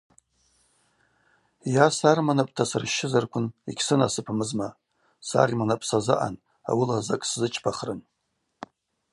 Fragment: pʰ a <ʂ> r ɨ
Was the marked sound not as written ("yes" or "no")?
yes